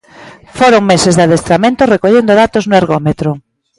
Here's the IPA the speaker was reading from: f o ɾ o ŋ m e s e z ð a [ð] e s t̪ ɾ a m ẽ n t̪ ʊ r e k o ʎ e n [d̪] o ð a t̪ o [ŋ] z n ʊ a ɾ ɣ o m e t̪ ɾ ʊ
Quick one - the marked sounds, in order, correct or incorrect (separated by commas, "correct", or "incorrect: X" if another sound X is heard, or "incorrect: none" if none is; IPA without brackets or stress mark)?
correct, correct, incorrect: none